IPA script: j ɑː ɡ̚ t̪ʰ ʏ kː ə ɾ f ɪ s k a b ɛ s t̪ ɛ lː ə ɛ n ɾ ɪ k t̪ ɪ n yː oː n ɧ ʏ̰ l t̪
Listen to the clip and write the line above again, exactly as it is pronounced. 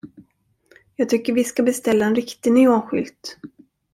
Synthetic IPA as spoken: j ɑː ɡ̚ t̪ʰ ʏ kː ə ɾ v ɪ s k a b ɛ s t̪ ɛ lː a ɛ n ɾ ɪ k t̪ ɪ n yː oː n ɧ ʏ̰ l t̪